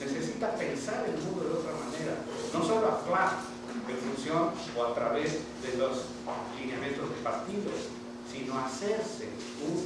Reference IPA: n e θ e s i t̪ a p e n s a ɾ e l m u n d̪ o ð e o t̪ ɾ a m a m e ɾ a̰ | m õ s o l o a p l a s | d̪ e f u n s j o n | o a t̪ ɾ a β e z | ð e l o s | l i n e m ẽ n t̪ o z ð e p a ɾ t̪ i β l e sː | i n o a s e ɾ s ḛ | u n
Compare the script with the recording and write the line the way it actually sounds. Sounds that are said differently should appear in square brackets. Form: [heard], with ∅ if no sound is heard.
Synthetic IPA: n e [s] e s i t̪ a p e n s a ɾ e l m u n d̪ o ð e o t̪ ɾ a m a [n] e ɾ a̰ | [n] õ s o l o a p l a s | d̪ e f u n s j o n | o a t̪ ɾ a β e z | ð e l o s | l i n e m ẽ n t̪ o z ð e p a ɾ t̪ i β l e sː | i n o a s e ɾ s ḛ | u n